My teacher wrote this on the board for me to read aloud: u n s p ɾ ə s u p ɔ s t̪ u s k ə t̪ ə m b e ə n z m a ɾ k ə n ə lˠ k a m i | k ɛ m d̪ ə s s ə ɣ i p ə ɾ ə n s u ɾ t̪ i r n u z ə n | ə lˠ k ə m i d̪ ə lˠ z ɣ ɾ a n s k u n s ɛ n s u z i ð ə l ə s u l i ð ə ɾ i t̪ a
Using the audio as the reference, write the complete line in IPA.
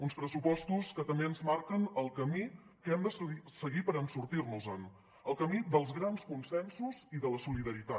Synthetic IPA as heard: u n s p ɾ ə s u p ɔ s t̪ u s k ə t̪ ə m b e ə n z m a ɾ k ə n ə lˠ k ə m i | k ɛ m d̪ ə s s ə ɣ i p ə ɾ ə n s u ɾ t̪ i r n u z ə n | ə lˠ k ə m i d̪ ə lˠ z ɣ ɾ a n s k u n s ɛ n s u z i ð ə l ə s u l i ð ə ɾ i t̪ a